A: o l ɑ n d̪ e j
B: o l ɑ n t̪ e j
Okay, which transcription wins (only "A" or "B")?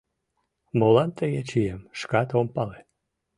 B